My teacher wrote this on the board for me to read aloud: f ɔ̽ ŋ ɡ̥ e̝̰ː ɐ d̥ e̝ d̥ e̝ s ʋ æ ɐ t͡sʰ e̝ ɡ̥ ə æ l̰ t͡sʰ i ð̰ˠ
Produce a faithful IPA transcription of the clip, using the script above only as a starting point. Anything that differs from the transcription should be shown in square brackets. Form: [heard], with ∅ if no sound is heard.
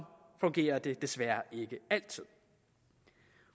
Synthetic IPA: f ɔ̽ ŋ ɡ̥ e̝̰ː ɐ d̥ e̝ d̥ e̝ s ʋ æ ɐ [∅] e̝ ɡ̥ ə æ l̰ t͡sʰ i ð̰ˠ